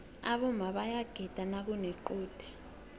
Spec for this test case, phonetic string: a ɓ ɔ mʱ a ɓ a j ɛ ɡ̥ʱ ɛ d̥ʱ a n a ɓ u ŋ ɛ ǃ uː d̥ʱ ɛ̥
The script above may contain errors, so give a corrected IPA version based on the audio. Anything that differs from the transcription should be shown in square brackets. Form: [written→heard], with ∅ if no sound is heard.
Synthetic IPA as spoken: a ɓ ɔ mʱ a ɓ a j [ɛ→a] ɡ̥ʱ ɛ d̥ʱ a n a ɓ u [ŋ→n] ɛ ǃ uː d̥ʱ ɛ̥

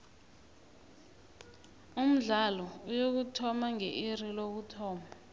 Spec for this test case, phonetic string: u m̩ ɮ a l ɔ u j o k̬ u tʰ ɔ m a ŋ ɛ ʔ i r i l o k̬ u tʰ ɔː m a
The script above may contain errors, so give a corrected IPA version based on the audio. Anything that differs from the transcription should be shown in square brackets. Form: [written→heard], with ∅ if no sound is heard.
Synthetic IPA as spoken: u m̩ ɮ a l ɔ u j o k̬ u tʰ ɔ m a ŋ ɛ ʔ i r i l o k̬ u tʰ ɔː m a

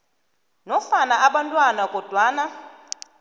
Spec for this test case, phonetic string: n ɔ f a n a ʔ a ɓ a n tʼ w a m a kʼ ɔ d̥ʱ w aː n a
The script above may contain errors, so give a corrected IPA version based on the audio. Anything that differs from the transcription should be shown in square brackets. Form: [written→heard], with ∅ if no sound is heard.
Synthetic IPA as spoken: n ɔ f a n a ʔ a ɓ a n tʼ w a [m→n] a kʼ ɔ d̥ʱ w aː n a

